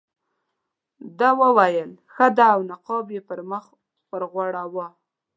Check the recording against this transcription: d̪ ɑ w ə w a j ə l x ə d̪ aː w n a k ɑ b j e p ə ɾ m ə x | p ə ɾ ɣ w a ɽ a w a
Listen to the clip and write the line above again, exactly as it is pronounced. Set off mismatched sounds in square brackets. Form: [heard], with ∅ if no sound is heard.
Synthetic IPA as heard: d̪ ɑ w ə w a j ə l x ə d̪ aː w n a [q] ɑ b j e p ə ɾ m ə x | p ə ɾ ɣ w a ɽ a w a